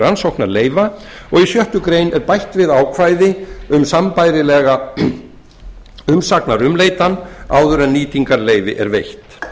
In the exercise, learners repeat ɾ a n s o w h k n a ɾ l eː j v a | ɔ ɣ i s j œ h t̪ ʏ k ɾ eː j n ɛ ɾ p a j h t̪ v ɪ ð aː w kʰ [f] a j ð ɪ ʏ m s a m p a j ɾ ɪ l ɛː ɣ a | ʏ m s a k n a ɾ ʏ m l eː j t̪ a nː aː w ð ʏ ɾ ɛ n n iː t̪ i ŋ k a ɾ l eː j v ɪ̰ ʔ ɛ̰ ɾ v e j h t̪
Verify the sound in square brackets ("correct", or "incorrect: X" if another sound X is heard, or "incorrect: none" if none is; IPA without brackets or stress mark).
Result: incorrect: v